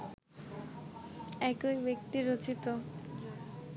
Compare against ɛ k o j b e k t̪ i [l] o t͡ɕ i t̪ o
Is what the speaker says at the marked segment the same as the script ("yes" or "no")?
no